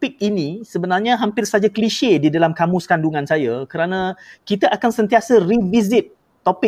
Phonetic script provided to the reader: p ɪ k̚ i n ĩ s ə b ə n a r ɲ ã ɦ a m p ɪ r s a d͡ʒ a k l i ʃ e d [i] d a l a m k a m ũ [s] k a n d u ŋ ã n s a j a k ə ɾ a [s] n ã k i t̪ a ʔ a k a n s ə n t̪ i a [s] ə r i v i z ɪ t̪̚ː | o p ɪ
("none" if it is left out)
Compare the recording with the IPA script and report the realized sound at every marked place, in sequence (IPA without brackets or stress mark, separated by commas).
i, s, none, s